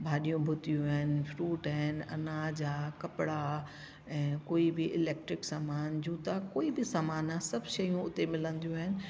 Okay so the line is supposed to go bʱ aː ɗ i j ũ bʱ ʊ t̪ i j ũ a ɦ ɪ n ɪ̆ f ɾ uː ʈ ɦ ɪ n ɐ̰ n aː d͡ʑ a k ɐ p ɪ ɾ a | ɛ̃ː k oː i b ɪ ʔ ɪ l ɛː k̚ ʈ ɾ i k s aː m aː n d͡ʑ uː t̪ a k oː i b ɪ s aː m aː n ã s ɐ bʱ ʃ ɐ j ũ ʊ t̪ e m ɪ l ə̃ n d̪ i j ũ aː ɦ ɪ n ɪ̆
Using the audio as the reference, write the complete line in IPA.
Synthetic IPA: bʱ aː ɗ i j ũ bʱ ʊ t̪ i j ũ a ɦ ɪ n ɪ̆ f ɾ uː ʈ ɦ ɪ n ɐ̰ n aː d͡ʑ a k ɐ p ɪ ɽ a | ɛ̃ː k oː i b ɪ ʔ ɪ l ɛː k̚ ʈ ɾ ɪ k s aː m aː n d͡ʑ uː t̪ a k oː i b ɪ s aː m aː n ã s ɐ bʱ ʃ ɐ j ũ ʊ t̪ e m ɪ l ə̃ n d̪ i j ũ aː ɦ ɪ n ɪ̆

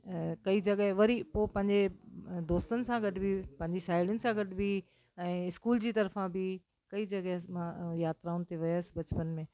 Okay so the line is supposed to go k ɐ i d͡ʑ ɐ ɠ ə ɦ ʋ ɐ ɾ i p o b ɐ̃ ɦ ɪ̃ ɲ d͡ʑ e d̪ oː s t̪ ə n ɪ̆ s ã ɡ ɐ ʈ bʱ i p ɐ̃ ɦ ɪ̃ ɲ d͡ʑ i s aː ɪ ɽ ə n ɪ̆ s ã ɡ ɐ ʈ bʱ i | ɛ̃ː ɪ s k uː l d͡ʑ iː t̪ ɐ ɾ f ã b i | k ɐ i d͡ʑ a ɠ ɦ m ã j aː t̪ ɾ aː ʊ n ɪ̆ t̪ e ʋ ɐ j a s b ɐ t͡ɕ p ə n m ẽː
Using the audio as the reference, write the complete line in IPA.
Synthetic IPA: k ɐ i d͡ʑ ɐ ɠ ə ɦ ʋ ɐ ɾ i p o p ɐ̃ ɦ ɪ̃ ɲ d͡ʑ e d̪ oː s t̪ ə n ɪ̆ s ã ɡ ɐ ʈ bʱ i p ɐ̃ ɦ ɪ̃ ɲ d͡ʑ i s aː ɪ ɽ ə n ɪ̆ s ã ɡ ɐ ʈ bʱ i | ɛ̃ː ɪ s k uː l d͡ʑ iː t̪ ɐ ɾ f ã b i | k ɐ i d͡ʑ ɐ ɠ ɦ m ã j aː t̪ ɾ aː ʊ n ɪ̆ t̪ e ʋ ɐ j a s b ɐ t͡ɕ p ə n m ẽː

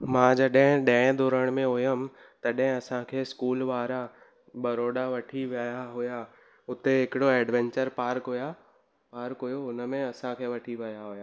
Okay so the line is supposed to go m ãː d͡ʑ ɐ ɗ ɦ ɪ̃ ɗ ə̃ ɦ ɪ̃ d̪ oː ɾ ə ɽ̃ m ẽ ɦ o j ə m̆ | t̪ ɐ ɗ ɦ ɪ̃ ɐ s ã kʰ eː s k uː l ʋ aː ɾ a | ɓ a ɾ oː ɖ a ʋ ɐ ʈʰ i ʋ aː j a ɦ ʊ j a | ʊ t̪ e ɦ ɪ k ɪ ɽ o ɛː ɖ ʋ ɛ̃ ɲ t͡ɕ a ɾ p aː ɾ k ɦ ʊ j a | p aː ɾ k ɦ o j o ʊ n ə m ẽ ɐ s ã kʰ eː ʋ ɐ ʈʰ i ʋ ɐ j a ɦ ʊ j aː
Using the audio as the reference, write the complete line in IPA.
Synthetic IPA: m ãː d͡ʑ ɐ ɗ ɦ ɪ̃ ɗ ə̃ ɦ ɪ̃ d̪ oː ɾ ə ɽ̃ m ẽ ɦ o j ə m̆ | t̪ ɐ ɗ ɦ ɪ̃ ɐ s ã kʰ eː s k uː l ʋ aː ɾ a | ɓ ɐ ɾ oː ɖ a ʋ ɐ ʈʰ i ʋ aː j a ɦ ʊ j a | ʊ t̪ e ɦ ɪ k ɪ ɽ o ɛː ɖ ʋ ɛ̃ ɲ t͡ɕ ə ɾ p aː ɾ k ɦ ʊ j a | p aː ɾ k ɦ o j o ʊ n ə m ẽ ɐ s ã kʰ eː ʋ ɐ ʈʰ i ʋ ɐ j a ɦ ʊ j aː

